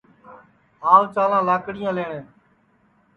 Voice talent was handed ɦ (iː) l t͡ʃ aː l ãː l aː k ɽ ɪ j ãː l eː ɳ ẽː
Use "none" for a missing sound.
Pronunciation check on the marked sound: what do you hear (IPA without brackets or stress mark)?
aː